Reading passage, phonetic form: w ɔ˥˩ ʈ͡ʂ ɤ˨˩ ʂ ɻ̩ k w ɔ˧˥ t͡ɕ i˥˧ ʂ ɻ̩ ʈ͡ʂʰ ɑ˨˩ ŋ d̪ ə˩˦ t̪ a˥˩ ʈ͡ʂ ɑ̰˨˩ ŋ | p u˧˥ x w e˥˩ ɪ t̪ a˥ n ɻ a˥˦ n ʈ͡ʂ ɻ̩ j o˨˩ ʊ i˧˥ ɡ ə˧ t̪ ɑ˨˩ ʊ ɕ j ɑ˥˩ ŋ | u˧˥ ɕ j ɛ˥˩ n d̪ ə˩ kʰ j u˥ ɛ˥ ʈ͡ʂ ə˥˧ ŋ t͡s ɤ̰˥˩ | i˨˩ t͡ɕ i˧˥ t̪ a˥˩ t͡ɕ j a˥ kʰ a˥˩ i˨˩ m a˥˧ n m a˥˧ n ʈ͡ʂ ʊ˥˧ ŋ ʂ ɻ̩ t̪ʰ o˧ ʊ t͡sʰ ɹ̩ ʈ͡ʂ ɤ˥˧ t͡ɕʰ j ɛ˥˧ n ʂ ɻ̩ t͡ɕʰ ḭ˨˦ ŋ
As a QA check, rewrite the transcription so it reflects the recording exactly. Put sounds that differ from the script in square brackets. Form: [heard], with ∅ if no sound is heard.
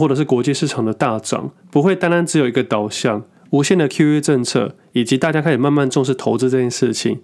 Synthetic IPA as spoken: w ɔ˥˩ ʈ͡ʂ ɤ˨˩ ʂ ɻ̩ k w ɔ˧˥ t͡ɕ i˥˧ ʂ ɻ̩ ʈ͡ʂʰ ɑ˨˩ ŋ d̪ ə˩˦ t̪ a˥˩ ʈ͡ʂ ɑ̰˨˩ ŋ | p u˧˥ x w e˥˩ ɪ t̪ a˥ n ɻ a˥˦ n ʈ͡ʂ ɻ̩ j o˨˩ ʊ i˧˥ ɡ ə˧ t̪ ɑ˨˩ ʊ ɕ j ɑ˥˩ ŋ | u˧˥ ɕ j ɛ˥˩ n d̪ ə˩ kʰ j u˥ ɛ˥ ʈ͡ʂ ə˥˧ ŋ [t͡sʰ] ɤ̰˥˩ | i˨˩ t͡ɕ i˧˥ t̪ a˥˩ t͡ɕ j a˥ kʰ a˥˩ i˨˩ m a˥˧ n m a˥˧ n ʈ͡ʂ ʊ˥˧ ŋ ʂ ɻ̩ t̪ʰ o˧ ʊ [t͡s] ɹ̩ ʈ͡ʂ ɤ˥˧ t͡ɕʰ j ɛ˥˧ n ʂ ɻ̩ t͡ɕʰ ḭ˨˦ ŋ